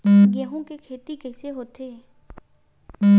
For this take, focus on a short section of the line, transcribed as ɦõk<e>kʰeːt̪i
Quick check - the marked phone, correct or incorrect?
correct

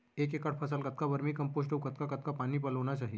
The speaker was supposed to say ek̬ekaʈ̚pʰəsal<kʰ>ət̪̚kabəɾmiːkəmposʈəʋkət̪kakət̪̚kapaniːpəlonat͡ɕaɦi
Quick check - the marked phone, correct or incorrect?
incorrect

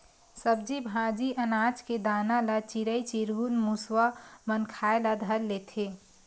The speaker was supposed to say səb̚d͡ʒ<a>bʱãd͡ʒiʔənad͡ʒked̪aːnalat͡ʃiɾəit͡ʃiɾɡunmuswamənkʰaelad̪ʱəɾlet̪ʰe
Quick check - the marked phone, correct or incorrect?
incorrect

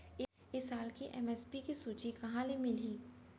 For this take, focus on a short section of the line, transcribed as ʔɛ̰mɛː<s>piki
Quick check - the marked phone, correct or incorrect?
correct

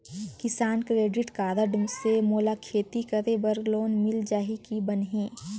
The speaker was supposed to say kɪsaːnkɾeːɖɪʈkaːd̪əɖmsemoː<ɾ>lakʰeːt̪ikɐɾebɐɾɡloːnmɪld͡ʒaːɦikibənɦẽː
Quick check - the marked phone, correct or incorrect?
incorrect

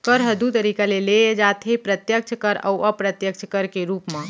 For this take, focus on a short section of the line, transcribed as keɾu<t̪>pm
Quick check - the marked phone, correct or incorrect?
incorrect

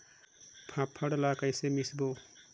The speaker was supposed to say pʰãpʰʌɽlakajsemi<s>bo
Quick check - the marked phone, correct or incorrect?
correct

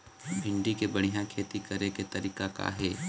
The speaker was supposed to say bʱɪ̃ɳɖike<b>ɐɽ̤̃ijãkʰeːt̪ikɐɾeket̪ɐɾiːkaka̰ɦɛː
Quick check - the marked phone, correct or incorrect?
correct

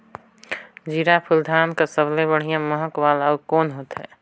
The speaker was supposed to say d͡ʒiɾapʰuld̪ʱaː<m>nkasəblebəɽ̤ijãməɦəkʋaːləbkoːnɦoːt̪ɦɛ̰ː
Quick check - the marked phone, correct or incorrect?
incorrect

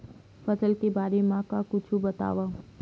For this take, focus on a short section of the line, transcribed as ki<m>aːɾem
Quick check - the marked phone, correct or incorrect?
incorrect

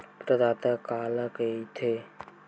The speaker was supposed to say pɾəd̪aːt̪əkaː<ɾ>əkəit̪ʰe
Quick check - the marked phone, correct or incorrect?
incorrect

